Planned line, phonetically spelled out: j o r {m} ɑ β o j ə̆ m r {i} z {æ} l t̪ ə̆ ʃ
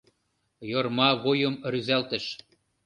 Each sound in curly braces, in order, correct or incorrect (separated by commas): correct, incorrect, correct